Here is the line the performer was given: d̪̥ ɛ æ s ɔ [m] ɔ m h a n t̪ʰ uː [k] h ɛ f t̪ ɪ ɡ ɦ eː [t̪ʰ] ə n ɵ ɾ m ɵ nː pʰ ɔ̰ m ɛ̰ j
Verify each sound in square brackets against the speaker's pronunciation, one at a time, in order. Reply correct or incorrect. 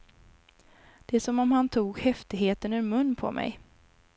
correct, incorrect: ɡ, incorrect: t̪

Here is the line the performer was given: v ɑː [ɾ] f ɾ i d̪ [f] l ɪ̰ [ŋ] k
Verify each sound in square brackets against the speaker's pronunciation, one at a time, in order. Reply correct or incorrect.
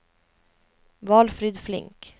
incorrect: l, correct, correct

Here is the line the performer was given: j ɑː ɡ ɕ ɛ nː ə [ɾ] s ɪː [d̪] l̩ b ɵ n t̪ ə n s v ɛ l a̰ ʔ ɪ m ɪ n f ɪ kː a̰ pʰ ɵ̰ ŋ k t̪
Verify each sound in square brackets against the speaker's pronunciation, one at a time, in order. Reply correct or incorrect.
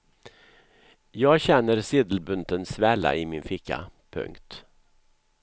correct, correct

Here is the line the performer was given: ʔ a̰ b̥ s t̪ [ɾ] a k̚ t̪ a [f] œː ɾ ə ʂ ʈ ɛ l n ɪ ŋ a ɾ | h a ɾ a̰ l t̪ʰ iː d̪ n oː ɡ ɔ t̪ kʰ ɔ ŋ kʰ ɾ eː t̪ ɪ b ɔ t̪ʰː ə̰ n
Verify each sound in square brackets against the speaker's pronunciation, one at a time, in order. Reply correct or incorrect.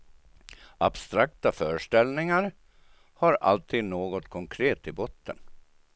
correct, correct

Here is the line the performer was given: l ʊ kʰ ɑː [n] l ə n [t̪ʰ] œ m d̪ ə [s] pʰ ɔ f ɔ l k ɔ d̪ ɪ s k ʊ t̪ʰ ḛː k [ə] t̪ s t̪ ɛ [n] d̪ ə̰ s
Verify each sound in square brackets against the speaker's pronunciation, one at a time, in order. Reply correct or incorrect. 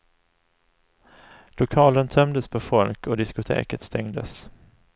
incorrect: none, correct, correct, correct, incorrect: ŋ

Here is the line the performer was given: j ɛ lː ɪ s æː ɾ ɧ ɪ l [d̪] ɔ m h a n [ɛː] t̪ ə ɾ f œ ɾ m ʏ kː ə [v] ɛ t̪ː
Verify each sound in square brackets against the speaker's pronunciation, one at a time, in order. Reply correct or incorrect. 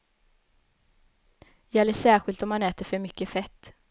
incorrect: t̪, correct, incorrect: f

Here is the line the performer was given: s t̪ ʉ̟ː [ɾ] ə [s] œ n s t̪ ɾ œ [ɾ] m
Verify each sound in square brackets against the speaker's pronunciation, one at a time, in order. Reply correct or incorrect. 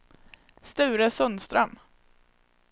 correct, correct, incorrect: none

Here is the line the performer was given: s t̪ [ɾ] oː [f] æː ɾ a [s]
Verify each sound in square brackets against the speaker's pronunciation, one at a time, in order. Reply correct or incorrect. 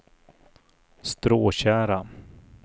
correct, incorrect: ɕ, incorrect: none

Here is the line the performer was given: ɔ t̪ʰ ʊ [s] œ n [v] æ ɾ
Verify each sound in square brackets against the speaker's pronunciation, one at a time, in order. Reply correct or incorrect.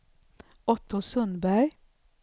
correct, incorrect: b

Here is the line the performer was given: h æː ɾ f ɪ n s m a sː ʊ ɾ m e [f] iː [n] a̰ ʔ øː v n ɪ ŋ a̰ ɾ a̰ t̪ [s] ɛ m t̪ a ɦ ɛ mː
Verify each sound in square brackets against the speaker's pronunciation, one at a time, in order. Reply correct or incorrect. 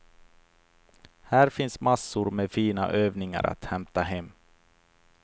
correct, correct, incorrect: h

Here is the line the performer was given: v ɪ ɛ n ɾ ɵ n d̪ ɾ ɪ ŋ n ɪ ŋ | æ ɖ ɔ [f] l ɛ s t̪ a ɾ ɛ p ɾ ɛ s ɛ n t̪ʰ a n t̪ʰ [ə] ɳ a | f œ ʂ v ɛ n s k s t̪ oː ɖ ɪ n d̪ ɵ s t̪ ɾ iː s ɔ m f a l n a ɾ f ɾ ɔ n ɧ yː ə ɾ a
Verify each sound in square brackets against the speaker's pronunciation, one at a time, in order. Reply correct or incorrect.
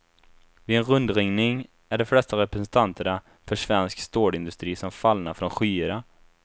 correct, correct

